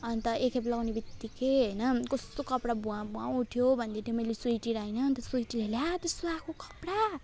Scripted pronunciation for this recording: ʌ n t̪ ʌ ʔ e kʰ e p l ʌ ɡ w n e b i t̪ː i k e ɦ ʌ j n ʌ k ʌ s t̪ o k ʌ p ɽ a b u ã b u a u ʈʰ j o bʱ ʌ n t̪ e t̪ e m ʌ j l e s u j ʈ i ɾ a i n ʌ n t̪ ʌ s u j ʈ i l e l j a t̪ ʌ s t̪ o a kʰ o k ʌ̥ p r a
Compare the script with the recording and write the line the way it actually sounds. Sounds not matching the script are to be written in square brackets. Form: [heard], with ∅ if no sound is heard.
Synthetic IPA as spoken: ʌ n t̪ ʌ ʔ e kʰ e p l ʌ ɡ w n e b i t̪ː i k e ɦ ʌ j n ʌ k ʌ s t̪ o k ʌ p ɽ a b u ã b u a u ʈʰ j o bʱ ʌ n [d̪] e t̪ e m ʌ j l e s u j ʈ i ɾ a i n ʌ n t̪ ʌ s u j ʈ i l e l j a t̪ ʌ s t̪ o a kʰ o k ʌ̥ p [ɽ] a